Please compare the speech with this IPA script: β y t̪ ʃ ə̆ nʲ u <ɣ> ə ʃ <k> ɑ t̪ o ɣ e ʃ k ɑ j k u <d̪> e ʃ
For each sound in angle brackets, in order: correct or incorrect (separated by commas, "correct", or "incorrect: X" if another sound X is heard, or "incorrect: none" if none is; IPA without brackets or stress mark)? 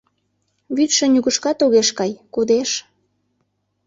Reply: correct, correct, correct